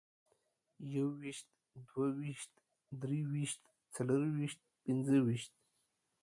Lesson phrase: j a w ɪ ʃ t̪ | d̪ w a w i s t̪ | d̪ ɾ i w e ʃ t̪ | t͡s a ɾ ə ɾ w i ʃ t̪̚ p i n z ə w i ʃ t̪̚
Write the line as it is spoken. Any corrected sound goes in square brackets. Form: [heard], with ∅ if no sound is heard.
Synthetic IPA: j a w [i] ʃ t̪ | d̪ w a w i [ʃ] t̪ | d̪ ɾ i w [i] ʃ t̪ | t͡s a [l] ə ɾ w i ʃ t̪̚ p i n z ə w i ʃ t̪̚